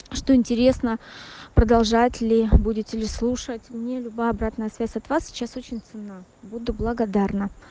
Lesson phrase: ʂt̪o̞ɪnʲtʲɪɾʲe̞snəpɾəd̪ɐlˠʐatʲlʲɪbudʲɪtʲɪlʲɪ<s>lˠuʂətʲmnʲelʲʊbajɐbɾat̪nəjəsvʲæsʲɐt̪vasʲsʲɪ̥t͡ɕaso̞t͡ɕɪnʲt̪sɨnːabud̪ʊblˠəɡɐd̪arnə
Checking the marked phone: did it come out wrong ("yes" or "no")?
no